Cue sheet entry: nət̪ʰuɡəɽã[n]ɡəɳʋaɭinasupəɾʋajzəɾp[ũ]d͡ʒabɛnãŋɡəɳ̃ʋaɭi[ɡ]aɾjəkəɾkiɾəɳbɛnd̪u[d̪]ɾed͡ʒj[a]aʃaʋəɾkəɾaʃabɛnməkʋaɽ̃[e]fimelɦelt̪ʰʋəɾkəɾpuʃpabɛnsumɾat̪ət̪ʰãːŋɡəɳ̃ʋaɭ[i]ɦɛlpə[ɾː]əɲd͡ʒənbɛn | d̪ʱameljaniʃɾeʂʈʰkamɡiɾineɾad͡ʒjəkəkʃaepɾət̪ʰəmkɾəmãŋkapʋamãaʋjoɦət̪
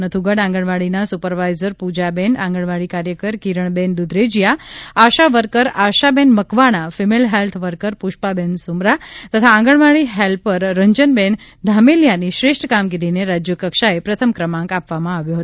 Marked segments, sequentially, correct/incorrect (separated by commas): incorrect, incorrect, incorrect, correct, correct, incorrect, correct, correct